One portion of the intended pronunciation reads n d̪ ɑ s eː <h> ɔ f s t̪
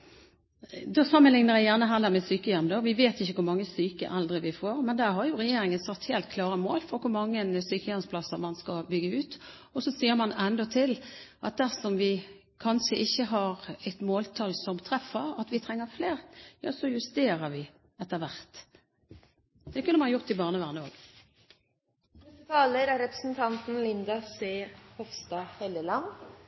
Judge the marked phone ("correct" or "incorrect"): correct